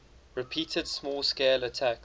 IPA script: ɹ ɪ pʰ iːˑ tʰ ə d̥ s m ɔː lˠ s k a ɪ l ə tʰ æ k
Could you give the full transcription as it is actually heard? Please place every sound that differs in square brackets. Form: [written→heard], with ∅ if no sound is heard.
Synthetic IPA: ɹ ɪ pʰ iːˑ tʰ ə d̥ s m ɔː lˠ s k [a→e] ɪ l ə tʰ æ k